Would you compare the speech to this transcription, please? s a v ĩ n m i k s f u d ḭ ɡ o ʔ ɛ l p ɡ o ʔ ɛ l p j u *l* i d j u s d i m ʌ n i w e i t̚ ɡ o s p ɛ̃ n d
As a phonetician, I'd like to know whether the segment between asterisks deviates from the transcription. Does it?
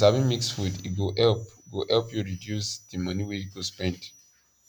yes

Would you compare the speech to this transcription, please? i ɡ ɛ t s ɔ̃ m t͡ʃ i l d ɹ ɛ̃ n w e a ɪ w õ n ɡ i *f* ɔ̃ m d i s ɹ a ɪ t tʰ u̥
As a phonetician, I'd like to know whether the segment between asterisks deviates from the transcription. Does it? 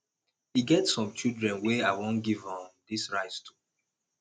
yes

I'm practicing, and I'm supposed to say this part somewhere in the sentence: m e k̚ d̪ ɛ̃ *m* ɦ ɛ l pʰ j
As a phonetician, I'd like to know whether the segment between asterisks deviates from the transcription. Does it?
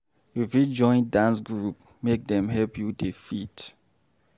no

